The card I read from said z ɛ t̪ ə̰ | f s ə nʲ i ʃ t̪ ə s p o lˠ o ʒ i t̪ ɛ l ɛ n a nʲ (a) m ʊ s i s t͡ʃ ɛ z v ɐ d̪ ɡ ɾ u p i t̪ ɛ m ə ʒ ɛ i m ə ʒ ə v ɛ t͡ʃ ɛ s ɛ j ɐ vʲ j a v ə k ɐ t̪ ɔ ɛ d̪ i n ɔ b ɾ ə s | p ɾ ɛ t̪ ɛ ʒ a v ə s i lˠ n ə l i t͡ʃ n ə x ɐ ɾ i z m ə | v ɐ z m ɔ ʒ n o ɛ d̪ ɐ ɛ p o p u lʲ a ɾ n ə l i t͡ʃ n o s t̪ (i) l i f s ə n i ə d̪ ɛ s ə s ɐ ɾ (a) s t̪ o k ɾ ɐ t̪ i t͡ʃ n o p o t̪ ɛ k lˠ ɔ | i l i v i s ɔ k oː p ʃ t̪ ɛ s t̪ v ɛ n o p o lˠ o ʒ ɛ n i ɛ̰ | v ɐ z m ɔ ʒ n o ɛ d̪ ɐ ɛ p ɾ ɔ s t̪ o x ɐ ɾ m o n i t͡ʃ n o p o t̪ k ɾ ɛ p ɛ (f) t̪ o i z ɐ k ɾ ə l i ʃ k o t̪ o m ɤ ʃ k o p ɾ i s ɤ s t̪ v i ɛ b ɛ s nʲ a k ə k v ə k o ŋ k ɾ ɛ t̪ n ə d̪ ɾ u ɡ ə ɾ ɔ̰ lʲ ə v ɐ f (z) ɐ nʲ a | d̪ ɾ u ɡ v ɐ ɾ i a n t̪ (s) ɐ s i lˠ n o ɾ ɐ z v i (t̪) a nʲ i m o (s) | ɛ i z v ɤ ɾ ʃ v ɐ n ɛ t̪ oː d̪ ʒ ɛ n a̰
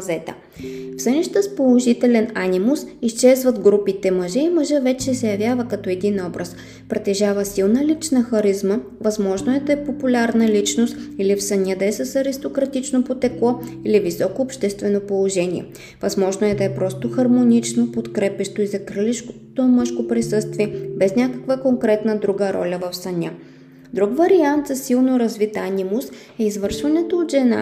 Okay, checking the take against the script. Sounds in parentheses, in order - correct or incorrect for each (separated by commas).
incorrect, correct, incorrect, incorrect, incorrect, incorrect, correct, correct